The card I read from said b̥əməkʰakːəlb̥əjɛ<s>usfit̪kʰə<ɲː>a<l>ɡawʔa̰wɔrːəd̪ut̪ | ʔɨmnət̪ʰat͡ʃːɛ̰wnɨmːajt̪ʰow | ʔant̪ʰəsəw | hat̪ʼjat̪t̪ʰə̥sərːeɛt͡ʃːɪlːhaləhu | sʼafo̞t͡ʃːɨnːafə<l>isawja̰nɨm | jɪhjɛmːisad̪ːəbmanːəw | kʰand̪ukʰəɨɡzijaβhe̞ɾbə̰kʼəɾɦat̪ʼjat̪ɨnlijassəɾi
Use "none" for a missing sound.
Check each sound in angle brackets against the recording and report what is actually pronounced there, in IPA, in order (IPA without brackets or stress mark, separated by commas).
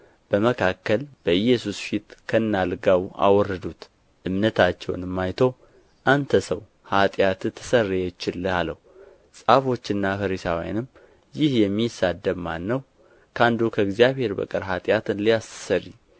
s, nː, l, ɾ